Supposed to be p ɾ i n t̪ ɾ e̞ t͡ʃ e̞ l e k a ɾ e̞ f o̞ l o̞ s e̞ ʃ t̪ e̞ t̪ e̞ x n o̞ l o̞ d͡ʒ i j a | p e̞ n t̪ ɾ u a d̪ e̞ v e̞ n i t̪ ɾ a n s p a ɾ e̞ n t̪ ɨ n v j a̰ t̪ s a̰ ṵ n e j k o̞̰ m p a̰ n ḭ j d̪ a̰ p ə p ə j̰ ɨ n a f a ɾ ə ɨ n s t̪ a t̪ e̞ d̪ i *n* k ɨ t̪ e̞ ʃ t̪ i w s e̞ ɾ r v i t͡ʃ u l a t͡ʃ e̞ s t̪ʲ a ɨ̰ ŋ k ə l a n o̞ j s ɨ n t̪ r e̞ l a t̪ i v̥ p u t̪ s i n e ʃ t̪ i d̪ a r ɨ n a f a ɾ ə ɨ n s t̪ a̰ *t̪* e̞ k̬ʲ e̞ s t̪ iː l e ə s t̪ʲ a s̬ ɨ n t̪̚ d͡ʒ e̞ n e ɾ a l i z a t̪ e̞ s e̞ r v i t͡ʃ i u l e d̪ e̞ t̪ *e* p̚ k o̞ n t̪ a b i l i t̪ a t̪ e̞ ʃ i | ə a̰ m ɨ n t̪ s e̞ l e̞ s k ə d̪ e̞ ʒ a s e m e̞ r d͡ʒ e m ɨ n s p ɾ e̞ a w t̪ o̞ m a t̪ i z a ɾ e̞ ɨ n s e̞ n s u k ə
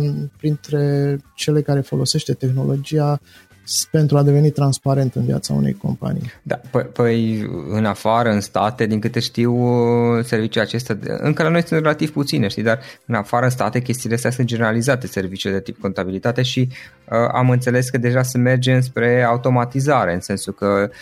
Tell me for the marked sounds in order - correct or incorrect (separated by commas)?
incorrect, correct, incorrect